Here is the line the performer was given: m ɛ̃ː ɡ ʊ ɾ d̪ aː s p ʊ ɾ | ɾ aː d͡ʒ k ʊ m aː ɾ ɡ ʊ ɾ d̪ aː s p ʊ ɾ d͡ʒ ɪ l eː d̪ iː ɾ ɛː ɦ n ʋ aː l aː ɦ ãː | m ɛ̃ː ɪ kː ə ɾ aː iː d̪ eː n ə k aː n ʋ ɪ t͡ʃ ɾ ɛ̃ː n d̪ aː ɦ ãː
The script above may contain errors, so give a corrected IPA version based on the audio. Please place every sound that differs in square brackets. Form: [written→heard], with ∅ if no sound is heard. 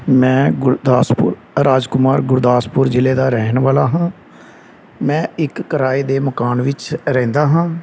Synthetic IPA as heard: m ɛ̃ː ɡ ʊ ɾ d̪ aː s p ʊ ɾ | ɾ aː d͡ʒ k ʊ m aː ɾ ɡ ʊ ɾ d̪ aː s p ʊ ɾ d͡ʒ ɪ l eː d̪ [iː→aː] ɾ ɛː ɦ n ʋ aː l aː ɦ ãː | m ɛ̃ː ɪ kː ə ɾ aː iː d̪ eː [n→m] ə k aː n ʋ ɪ t͡ʃ ɾ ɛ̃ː n d̪ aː ɦ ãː